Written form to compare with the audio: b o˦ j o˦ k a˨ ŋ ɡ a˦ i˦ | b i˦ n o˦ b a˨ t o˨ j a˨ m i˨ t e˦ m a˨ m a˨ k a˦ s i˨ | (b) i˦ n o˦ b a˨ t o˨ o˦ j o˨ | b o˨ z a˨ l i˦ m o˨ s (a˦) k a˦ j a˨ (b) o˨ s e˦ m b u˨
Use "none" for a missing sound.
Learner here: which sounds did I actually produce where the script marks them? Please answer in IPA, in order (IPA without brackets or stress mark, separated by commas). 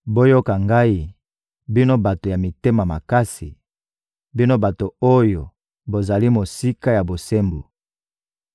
b, i˦, b